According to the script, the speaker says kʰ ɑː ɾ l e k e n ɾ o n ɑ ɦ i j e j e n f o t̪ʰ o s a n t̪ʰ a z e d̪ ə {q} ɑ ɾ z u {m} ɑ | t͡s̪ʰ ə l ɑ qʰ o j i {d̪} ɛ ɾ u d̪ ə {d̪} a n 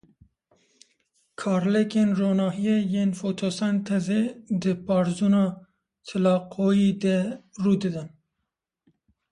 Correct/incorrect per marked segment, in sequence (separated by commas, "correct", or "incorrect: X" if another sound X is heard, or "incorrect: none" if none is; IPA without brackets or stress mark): incorrect: p, incorrect: n, correct, correct